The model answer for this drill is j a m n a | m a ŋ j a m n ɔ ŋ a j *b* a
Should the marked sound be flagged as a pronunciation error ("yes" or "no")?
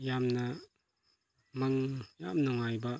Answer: no